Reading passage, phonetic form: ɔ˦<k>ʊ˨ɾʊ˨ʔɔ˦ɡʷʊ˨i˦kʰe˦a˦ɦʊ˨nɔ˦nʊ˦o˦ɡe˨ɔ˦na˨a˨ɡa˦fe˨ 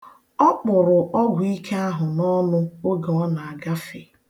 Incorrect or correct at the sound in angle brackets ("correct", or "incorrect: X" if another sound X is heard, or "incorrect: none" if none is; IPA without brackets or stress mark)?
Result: incorrect: k͡p